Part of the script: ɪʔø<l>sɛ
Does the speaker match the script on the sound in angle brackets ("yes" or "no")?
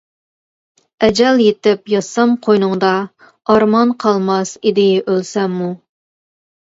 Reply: yes